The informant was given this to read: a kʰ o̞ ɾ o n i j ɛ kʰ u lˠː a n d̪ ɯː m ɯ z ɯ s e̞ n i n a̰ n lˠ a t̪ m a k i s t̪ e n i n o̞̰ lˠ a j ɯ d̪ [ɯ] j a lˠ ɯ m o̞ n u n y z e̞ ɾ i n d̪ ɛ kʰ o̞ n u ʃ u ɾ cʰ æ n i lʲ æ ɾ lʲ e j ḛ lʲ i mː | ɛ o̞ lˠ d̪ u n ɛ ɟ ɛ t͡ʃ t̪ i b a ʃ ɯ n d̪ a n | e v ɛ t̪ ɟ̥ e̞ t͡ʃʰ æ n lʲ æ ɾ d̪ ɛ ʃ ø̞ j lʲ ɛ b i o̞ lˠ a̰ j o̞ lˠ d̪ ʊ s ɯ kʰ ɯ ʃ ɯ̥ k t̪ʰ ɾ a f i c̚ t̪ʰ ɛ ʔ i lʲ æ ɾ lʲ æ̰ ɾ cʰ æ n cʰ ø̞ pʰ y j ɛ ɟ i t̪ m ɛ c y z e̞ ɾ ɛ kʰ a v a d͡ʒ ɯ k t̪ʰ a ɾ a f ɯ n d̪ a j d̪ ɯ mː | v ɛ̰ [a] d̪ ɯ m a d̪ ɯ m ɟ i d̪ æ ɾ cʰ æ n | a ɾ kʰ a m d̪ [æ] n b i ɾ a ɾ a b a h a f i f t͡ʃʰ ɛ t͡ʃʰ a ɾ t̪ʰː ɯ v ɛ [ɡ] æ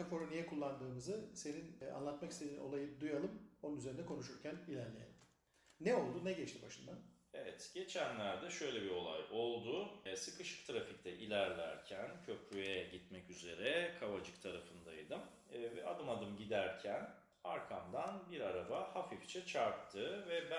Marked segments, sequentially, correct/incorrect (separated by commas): incorrect, correct, incorrect, incorrect